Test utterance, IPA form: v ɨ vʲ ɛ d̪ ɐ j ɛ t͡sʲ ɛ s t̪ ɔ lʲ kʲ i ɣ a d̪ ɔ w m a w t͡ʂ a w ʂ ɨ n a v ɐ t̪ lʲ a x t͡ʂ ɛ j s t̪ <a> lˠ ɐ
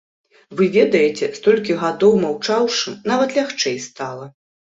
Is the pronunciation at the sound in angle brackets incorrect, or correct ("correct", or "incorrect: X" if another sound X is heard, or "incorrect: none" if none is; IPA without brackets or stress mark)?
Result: correct